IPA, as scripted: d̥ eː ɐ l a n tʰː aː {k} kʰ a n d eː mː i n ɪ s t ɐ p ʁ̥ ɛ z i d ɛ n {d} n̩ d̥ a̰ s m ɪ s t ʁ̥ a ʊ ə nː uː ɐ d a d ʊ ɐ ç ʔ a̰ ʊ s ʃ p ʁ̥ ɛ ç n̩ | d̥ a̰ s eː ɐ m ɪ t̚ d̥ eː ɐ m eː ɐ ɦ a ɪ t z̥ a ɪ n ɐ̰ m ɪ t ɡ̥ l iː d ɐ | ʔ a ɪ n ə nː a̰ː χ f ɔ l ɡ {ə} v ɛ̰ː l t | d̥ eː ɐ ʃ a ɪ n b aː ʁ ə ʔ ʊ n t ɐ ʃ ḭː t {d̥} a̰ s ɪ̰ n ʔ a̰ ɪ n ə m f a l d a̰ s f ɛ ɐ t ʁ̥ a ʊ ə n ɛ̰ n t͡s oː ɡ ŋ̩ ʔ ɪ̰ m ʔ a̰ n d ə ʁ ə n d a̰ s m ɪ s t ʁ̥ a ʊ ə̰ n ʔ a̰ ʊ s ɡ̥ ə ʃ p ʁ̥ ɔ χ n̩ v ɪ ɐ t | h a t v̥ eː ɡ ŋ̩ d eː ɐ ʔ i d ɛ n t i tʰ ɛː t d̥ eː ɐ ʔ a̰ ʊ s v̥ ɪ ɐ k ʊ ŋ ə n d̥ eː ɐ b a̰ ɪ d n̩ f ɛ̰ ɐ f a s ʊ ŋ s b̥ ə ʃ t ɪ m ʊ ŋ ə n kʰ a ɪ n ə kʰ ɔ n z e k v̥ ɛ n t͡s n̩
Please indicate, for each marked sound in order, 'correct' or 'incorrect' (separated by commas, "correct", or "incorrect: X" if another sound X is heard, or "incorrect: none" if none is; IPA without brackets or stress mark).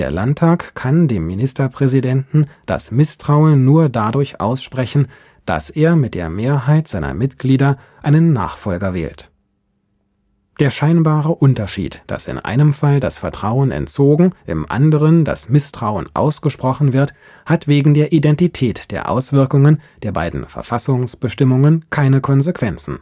correct, incorrect: t, incorrect: ɐ, correct